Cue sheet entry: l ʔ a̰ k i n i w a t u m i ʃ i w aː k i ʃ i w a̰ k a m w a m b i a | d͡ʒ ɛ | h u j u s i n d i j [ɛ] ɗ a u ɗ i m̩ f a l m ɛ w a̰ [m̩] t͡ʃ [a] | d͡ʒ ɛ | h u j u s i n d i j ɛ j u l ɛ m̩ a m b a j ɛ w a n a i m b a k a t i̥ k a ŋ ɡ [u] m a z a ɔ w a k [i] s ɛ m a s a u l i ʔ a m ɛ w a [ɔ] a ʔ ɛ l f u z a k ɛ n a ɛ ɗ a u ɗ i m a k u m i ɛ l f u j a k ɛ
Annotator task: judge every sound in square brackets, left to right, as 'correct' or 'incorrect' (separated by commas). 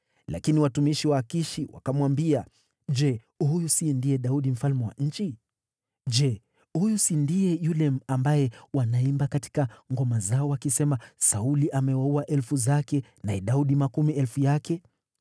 correct, incorrect, incorrect, incorrect, correct, incorrect